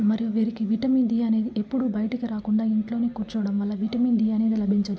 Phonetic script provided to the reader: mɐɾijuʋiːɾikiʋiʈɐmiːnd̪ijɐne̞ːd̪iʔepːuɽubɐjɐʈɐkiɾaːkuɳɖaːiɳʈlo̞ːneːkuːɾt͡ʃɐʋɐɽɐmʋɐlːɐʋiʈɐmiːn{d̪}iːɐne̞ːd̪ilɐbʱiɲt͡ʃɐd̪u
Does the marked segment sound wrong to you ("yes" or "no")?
no